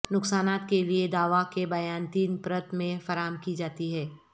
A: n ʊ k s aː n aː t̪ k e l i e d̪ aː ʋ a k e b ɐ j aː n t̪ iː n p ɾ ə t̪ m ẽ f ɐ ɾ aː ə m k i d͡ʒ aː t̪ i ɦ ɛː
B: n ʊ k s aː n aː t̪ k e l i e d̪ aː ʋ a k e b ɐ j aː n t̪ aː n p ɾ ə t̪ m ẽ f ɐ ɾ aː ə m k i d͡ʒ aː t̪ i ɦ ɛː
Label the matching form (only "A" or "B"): A